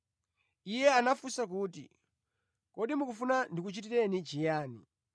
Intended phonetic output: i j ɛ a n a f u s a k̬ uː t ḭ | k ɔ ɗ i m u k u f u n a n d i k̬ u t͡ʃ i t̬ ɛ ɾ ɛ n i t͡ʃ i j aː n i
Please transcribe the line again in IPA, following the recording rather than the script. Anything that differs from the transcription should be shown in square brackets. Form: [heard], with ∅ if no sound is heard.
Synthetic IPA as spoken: i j ɛ a n a f u s a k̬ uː t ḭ | k ɔ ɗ i m u k u f u n a n d i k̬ u t͡ʃ i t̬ [i] ɾ ɛ n i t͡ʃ i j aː n i